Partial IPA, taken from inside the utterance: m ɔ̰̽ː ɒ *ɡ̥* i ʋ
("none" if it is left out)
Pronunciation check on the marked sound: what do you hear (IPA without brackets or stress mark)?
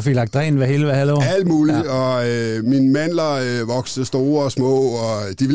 d̥